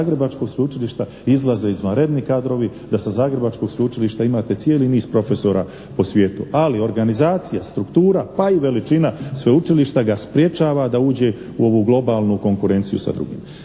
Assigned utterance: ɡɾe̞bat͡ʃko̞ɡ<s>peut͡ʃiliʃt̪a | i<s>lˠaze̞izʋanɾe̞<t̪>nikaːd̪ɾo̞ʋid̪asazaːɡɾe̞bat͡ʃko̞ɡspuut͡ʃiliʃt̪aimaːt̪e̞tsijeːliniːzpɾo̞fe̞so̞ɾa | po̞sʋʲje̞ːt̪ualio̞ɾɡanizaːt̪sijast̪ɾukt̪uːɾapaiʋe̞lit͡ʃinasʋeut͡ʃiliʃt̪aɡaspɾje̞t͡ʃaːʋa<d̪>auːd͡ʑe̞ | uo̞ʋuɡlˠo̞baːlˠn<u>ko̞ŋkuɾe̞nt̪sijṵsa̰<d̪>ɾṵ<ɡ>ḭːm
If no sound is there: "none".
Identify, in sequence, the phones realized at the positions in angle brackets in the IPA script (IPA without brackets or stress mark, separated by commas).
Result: s, z, d̪, d̪, u, d̪, ɡ